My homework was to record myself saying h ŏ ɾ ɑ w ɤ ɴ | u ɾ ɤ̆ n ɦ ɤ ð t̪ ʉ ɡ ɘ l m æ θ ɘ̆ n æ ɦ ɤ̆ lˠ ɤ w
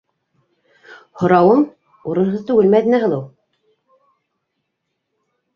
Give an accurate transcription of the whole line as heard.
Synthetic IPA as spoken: h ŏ ɾ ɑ w ɤ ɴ | u ɾ ɤ̆ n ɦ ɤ ð t̪ ʉ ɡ ɘ l m æ ð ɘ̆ n æ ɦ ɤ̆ lˠ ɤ w